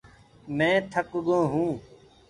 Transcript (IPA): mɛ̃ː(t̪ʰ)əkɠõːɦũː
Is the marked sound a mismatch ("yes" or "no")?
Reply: no